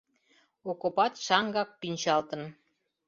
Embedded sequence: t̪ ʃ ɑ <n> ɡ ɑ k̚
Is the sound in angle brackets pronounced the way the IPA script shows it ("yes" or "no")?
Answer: no